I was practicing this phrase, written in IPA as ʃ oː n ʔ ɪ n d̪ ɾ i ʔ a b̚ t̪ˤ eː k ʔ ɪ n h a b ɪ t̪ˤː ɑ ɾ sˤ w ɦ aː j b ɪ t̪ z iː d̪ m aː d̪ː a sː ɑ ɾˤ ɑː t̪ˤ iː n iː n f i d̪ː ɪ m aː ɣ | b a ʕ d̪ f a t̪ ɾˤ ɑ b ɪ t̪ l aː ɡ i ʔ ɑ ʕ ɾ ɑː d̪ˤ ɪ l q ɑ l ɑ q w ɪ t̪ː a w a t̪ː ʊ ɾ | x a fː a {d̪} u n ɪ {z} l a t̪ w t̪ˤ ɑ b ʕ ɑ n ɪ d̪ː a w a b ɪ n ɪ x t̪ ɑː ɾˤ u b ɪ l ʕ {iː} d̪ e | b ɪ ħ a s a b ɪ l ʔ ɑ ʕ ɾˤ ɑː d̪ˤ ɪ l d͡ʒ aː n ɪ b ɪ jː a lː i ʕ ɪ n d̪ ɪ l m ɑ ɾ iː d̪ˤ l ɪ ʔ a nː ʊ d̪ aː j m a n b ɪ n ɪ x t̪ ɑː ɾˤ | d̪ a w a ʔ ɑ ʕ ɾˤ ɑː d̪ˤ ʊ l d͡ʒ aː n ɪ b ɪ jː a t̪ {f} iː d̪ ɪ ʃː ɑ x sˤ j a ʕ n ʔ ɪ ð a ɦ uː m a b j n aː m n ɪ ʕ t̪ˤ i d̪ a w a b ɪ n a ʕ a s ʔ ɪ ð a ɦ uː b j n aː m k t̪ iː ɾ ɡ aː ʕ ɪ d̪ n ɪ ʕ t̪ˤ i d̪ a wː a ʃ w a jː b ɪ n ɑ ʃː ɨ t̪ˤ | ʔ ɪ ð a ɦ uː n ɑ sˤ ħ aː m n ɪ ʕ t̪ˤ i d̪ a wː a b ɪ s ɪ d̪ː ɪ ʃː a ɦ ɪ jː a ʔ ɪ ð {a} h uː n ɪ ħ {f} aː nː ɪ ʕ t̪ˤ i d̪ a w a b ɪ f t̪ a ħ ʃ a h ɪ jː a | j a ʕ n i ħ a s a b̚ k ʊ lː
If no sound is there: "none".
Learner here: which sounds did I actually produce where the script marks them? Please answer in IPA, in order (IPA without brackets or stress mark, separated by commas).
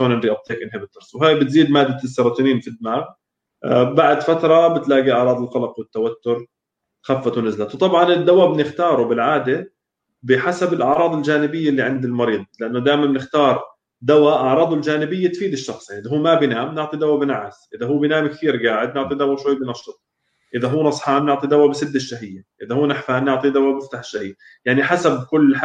t̪, z, aː, f, a, f